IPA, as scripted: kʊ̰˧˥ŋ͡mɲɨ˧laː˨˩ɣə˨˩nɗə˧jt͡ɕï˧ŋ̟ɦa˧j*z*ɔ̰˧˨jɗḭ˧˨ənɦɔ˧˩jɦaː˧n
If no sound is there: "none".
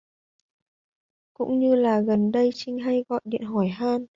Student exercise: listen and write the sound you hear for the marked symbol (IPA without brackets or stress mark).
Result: ɣ